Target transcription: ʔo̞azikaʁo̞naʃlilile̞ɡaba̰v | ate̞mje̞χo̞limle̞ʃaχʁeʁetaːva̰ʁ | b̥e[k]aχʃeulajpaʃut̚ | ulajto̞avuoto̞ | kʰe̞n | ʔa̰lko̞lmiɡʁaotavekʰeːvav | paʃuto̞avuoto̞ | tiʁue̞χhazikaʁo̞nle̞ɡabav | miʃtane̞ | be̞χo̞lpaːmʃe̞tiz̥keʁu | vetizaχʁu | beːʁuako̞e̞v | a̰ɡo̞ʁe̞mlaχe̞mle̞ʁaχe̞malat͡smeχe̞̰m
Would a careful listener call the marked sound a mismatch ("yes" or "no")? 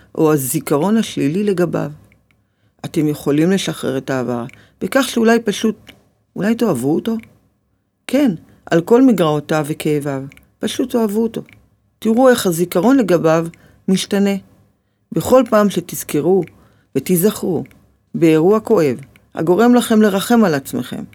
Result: no